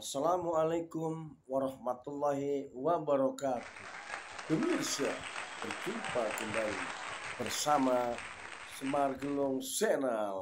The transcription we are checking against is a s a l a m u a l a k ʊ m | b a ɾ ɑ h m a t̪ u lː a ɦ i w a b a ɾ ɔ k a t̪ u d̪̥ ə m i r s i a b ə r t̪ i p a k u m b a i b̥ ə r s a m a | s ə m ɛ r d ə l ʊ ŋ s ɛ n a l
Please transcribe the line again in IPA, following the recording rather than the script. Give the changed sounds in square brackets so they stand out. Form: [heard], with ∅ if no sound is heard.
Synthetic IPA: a s a l a m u a l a k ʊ m | [w] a ɾ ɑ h m a t̪ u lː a ɦ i w a b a ɾ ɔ k a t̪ u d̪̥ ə m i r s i a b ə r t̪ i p a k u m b a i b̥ ə r s a m a | s ə m [a] r [ɡ] ə l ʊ ŋ s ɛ n a l

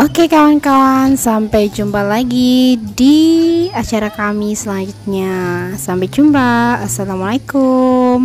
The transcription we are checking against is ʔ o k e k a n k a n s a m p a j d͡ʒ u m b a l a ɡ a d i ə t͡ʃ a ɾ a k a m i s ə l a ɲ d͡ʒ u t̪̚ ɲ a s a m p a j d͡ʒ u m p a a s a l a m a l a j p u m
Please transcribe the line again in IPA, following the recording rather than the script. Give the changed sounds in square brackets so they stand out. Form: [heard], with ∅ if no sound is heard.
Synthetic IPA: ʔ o k e k a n k a n s a m p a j d͡ʒ u m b a l a ɡ [i] d i [a] t͡ʃ a ɾ a k a m i s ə l a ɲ d͡ʒ u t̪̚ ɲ a s a m p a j d͡ʒ u m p a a s a l a m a l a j [k] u m

